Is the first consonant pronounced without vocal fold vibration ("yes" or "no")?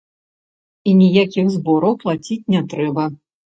no